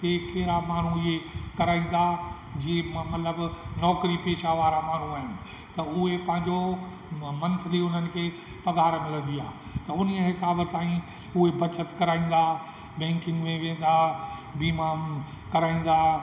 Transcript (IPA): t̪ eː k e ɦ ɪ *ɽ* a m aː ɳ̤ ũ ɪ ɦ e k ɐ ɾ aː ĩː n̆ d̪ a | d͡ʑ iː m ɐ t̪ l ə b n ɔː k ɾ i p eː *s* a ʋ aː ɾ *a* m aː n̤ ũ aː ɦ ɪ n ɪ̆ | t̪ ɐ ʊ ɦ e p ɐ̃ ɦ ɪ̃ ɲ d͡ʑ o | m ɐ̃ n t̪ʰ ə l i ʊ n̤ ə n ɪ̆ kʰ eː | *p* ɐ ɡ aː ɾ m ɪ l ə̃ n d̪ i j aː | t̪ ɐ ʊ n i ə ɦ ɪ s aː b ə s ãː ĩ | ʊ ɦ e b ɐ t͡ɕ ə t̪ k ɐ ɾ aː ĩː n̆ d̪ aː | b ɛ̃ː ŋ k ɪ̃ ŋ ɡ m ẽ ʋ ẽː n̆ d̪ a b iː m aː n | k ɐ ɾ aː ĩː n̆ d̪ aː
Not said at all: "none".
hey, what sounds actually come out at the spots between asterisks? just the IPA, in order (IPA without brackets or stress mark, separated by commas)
ɾ, ʃ, a, p